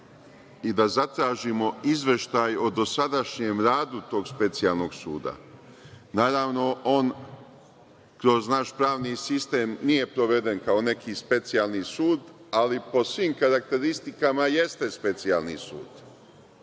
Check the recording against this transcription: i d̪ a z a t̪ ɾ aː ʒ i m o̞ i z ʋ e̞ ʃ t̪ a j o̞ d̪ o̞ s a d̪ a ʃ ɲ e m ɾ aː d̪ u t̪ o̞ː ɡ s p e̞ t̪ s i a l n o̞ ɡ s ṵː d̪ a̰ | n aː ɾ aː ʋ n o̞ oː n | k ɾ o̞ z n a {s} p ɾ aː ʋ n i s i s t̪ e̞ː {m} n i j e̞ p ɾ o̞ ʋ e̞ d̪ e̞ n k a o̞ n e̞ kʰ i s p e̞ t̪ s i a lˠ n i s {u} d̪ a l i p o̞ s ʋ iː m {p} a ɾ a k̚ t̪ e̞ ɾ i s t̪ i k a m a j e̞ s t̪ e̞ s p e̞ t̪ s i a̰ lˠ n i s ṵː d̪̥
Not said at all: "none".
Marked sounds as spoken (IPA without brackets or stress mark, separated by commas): ʃ, m, uː, k